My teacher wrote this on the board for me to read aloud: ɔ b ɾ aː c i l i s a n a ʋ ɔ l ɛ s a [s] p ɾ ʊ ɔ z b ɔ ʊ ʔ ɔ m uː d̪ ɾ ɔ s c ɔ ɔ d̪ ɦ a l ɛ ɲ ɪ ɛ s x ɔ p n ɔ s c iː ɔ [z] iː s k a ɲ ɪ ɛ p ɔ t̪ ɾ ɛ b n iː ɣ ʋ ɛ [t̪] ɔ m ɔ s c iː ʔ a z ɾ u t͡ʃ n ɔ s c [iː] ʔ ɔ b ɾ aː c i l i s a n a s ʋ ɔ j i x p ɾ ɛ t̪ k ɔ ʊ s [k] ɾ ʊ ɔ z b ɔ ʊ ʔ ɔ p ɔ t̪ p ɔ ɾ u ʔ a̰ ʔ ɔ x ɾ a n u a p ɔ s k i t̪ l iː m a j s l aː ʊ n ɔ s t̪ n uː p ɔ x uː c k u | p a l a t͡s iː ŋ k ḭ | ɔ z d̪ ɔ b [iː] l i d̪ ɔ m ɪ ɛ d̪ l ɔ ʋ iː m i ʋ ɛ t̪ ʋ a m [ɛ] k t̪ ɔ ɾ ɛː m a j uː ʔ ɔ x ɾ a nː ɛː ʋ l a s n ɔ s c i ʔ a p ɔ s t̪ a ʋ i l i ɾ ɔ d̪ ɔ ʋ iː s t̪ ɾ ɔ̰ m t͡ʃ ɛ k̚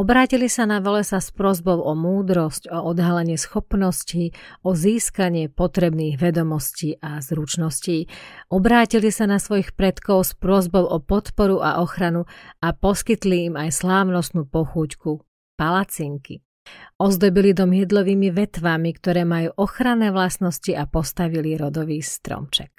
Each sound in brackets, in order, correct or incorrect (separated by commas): correct, correct, incorrect, correct, incorrect, incorrect, incorrect